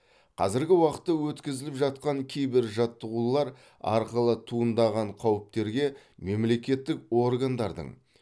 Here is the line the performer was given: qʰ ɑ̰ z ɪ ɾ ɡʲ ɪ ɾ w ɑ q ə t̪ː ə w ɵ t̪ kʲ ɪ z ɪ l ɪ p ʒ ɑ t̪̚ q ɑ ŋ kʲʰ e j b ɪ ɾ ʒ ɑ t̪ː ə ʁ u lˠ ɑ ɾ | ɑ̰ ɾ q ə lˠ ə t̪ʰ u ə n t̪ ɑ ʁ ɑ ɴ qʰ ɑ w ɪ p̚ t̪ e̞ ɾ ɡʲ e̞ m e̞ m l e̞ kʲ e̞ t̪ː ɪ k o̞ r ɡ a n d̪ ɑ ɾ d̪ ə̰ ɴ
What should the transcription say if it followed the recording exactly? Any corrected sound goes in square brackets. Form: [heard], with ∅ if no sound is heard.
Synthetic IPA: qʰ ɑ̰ z ɪ ɾ ɡʲ ɪ [∅] w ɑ q ə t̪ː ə w ɵ t̪ kʲ ɪ z ɪ l ɪ p ʒ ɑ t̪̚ q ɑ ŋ kʲʰ e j b ɪ ɾ ʒ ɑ t̪ː ə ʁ u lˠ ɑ ɾ | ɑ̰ ɾ q ə lˠ ə t̪ʰ u ə n [d̪] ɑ ʁ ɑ ɴ qʰ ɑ w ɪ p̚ t̪ e̞ ɾ ɡʲ e̞ m e̞ m l e̞ kʲ e̞ t̪ː ɪ k o̞ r ɡ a n d̪ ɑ ɾ d̪ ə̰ ɴ